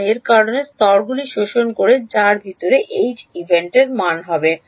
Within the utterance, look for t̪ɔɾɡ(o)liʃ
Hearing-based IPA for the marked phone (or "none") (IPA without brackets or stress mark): u